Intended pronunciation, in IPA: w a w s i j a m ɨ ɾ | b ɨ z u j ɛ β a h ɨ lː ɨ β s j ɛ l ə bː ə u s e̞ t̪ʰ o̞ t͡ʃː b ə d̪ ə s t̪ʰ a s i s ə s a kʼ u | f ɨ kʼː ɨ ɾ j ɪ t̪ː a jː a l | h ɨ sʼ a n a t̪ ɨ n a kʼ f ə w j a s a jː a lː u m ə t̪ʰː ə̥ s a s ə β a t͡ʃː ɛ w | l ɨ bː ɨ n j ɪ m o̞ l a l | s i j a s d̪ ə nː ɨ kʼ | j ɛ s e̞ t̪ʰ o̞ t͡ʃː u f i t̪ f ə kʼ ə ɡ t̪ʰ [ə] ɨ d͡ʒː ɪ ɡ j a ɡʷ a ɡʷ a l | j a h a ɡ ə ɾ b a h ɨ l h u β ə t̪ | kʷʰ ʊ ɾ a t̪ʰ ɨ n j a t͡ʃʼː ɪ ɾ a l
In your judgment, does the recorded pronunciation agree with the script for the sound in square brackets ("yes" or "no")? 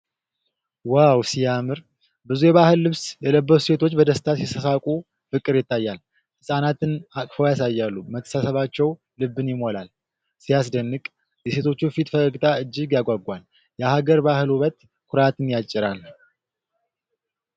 no